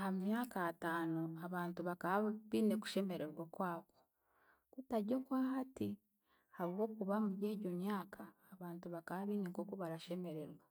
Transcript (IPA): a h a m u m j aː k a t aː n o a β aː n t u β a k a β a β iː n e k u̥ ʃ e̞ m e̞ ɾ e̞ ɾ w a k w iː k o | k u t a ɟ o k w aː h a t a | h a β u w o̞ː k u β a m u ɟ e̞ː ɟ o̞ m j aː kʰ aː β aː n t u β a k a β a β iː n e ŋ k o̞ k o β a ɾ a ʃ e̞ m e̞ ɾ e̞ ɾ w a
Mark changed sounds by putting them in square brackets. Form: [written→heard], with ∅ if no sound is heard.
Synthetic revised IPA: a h a m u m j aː k a t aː n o a β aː n t u β a k a β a β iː n e k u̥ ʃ e̞ m e̞ ɾ e̞ ɾ w a k w [iː→aː] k o | k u t a ɟ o k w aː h a t [a→i] | h a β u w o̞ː k u β a m u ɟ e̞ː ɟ o̞ m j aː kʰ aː β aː n t u β a k a β a β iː n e ŋ k o̞ k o β a ɾ a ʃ e̞ m e̞ ɾ e̞ ɾ w a